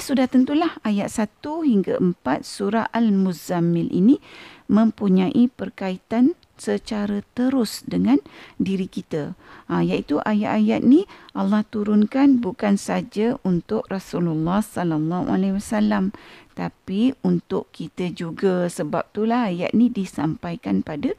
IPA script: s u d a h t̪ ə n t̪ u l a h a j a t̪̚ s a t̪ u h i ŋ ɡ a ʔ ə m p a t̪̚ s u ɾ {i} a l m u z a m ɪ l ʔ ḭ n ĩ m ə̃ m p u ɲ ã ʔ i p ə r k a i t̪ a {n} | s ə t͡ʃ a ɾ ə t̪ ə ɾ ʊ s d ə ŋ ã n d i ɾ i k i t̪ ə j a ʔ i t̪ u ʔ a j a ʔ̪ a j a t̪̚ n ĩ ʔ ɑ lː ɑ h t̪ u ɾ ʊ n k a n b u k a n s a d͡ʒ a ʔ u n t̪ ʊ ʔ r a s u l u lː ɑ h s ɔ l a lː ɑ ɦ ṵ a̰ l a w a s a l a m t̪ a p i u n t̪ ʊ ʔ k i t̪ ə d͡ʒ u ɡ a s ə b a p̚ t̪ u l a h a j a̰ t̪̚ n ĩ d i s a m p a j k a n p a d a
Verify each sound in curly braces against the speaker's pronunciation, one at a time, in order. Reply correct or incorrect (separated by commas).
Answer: incorrect, correct